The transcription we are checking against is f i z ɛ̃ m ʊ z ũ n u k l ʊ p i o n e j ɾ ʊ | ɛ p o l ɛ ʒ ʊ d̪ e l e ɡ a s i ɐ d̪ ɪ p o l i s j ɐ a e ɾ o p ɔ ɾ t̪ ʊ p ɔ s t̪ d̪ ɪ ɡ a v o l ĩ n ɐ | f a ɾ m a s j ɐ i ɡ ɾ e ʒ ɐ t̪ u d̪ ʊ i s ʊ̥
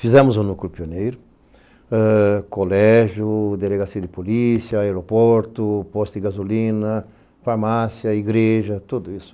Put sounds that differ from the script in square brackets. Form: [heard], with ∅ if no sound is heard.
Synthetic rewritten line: f i z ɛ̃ m ʊ z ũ n u k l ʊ p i o n e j ɾ ʊ | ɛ [k] o l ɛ ʒ ʊ d̪ e l e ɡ a s i ɐ d̪ ɪ p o l i s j ɐ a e ɾ o p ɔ ɾ t̪ ʊ p ɔ s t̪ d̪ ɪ ɡ a [z] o l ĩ n ɐ | f a ɾ m a s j ɐ i ɡ ɾ e ʒ ɐ t̪ u d̪ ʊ i s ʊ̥